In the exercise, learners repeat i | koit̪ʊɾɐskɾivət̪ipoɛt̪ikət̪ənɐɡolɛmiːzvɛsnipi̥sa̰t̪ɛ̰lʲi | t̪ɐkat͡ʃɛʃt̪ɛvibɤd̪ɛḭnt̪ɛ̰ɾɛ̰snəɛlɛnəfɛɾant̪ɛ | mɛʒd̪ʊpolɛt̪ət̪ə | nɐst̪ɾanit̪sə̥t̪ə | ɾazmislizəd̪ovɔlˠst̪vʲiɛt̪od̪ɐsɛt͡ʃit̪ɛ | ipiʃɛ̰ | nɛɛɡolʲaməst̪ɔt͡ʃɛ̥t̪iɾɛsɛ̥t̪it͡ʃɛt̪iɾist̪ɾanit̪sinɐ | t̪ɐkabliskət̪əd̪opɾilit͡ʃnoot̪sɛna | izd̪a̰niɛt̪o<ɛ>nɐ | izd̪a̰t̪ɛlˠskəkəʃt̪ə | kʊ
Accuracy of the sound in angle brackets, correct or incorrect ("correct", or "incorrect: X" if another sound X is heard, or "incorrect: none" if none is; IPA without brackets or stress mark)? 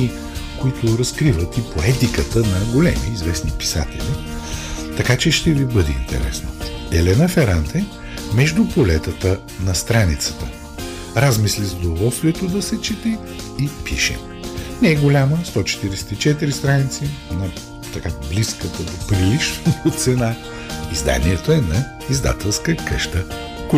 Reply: correct